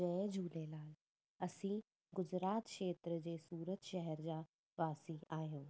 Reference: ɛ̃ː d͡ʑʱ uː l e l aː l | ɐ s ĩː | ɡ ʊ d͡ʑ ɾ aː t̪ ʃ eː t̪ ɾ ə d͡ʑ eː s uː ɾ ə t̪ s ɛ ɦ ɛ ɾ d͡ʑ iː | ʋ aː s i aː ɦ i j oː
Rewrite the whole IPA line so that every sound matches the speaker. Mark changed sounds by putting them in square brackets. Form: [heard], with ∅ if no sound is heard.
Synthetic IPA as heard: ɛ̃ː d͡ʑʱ uː l e l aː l | ɐ s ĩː | ɡ ʊ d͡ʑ ɾ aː t̪ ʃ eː t̪ ɾ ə d͡ʑ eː s uː ɾ ə t̪ [ʃ] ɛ ɦ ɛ ɾ d͡ʑ [aː] | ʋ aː s i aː ɦ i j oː